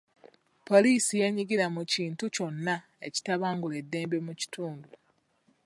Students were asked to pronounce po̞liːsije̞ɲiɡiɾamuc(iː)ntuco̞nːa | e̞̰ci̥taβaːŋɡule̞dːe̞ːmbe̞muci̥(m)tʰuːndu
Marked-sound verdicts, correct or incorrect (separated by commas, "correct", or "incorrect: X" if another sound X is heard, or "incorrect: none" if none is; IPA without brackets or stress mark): correct, incorrect: none